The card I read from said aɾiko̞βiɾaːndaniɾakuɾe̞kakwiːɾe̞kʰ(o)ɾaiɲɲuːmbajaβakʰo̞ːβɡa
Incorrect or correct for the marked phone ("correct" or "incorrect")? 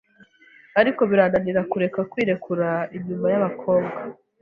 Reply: incorrect